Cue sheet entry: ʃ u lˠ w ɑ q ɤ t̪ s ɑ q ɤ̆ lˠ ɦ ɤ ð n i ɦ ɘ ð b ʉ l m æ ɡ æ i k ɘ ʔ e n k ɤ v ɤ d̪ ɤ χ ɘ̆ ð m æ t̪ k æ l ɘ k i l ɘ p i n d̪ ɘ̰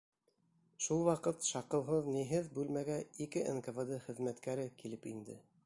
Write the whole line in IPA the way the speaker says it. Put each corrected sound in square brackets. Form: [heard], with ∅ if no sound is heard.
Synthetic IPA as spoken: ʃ u lˠ w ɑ q ɤ t̪ [ʃ] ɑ q ɤ̆ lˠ ɦ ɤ ð n i ɦ ɘ ð b ʉ l m æ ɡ æ i k ɘ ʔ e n k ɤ v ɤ d̪ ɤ χ ɘ̆ ð m æ t̪ k æ [ɾ] ɘ k i l ɘ p i n d̪ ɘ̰